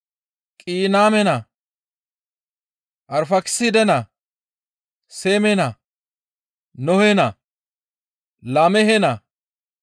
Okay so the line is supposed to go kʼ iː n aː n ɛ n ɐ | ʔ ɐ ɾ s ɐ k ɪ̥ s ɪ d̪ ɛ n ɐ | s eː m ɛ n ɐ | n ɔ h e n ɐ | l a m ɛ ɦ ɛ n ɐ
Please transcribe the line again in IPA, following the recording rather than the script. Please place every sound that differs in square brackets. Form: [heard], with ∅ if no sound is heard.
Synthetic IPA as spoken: kʼ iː n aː [m] ɛ n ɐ | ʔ ɐ ɾ [f] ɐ k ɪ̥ s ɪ d̪ ɛ n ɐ | s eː m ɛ n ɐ | n ɔ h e n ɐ | l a m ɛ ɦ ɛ n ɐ